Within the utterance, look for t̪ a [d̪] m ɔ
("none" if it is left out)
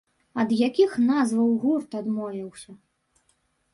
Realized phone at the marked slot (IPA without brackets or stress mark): d̪